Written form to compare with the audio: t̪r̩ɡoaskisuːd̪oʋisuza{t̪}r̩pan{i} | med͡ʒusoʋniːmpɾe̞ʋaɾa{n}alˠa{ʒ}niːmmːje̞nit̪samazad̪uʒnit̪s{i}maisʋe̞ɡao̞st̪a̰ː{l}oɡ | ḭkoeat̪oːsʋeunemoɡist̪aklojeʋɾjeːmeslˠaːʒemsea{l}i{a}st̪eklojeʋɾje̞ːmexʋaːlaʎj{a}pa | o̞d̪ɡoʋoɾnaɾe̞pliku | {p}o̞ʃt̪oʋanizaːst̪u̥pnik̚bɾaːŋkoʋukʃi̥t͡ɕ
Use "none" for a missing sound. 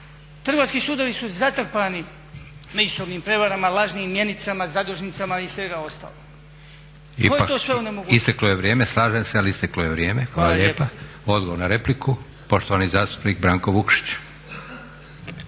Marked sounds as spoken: t̪, i, m, ʒ, a, l, l, i, e, p

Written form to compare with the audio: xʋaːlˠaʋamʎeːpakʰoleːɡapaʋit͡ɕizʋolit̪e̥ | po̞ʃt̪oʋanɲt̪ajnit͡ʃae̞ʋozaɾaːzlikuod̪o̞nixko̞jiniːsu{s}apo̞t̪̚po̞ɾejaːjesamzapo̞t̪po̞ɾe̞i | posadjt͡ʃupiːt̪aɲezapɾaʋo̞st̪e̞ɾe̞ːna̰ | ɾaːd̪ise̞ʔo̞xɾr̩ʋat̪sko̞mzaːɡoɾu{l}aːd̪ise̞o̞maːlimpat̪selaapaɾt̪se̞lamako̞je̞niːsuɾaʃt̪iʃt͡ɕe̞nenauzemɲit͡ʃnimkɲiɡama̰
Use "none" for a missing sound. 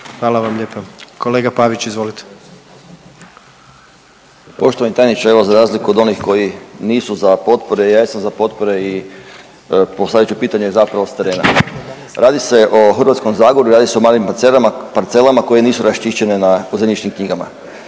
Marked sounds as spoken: z, ɾ

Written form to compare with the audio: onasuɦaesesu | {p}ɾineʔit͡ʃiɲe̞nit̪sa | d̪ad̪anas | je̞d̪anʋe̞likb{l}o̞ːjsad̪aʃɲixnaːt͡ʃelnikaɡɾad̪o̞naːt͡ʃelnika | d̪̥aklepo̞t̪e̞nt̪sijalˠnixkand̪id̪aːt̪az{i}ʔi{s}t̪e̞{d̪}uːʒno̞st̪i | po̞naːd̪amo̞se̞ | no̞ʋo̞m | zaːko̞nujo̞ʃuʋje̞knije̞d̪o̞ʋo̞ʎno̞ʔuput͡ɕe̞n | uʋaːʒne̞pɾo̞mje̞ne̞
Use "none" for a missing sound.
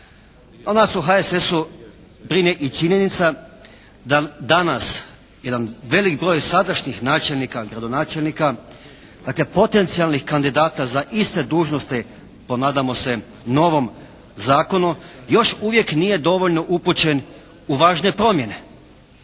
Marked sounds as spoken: b, ɾ, a, s, d̪

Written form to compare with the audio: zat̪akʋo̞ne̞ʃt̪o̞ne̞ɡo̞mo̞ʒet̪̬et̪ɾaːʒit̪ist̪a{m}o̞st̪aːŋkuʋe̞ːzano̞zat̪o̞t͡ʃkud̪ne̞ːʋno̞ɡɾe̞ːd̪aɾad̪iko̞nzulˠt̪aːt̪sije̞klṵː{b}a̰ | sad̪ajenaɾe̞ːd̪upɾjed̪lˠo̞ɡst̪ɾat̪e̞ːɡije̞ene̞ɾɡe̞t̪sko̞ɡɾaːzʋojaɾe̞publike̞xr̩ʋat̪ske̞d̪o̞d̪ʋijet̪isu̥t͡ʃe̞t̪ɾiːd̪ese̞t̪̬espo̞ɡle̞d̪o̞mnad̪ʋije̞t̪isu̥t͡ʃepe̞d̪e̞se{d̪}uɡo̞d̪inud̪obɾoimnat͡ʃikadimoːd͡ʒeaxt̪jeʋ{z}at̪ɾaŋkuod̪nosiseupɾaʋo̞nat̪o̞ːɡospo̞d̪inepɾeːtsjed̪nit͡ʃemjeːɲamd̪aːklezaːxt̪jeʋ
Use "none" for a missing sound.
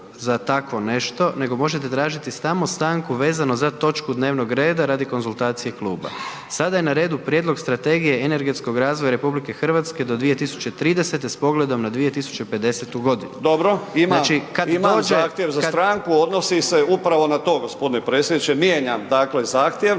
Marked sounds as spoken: m, b, t̪, z

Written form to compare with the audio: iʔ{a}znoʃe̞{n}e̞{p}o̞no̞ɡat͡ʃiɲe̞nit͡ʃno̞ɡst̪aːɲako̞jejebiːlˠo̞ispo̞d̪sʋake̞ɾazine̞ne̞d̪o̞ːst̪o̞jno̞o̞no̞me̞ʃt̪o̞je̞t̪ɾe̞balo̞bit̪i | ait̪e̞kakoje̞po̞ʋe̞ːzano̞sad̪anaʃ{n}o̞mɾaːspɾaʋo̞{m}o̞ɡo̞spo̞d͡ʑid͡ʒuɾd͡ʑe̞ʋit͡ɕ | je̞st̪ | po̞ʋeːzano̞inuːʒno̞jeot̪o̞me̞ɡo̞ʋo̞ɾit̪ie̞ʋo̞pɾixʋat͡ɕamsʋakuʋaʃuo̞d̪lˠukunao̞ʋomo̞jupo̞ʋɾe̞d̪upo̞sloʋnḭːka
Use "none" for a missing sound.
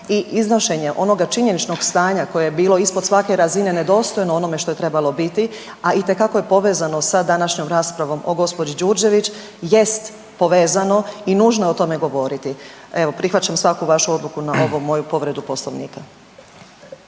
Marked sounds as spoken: i, ɲ, ʔ, ɲ, m

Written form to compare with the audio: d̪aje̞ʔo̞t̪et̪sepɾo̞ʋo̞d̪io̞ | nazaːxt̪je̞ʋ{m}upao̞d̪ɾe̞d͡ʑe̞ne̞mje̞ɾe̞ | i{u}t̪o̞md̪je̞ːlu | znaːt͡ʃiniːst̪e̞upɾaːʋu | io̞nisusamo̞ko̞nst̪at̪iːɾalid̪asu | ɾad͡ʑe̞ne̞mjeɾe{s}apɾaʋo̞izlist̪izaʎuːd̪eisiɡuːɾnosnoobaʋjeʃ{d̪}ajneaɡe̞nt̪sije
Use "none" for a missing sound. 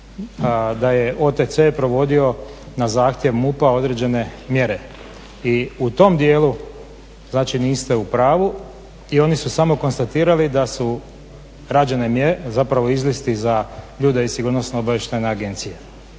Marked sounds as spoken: m, u, z, t̪

